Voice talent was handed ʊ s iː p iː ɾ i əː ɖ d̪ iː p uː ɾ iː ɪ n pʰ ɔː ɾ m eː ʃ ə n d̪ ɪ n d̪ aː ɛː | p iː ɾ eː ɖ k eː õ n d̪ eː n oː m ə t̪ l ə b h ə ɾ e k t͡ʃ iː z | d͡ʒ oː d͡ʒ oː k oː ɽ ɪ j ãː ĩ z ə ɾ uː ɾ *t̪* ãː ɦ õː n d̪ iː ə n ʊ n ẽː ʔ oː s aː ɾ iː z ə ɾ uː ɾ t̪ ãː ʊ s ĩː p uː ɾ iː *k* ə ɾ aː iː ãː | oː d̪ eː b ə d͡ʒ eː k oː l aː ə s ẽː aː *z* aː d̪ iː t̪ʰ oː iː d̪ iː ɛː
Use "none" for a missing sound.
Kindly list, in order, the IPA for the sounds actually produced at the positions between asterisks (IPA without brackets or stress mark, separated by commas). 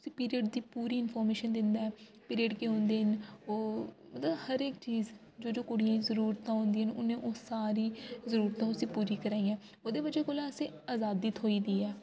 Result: t̪, k, z